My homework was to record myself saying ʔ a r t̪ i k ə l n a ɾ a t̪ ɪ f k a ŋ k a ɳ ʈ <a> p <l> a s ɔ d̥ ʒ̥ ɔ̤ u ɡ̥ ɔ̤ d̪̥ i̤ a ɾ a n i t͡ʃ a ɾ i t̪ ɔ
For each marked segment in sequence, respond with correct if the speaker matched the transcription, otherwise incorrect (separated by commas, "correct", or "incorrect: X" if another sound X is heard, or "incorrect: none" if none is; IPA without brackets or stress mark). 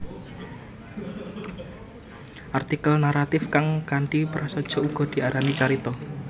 incorrect: i, incorrect: ɾ